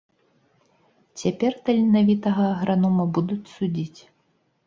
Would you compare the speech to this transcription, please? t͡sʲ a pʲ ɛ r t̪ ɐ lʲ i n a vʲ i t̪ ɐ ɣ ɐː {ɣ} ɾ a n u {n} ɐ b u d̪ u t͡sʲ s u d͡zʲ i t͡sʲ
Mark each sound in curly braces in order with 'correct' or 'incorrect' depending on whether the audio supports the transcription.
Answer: correct, incorrect: m

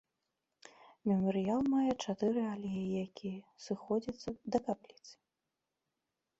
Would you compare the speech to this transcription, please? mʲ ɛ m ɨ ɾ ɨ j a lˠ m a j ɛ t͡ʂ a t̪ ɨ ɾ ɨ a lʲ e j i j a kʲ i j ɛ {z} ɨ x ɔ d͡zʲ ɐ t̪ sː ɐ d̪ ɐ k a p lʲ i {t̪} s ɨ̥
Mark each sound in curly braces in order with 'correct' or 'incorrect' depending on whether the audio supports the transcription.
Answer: incorrect: s, correct

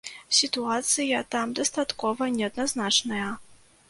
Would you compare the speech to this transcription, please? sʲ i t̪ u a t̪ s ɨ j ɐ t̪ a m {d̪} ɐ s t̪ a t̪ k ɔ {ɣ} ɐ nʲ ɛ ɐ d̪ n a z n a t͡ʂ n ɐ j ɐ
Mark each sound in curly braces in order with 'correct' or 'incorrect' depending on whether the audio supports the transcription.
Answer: correct, incorrect: v

